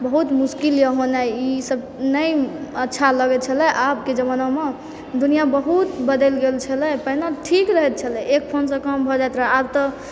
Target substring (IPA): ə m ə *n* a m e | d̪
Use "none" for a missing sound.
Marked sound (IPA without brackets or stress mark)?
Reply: n